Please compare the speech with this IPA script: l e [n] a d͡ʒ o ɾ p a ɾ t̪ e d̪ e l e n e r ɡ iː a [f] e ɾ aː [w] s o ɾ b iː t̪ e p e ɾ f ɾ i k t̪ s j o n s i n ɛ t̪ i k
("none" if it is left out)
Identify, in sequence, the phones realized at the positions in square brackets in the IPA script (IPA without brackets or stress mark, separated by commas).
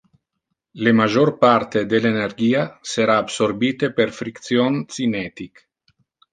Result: m, s, b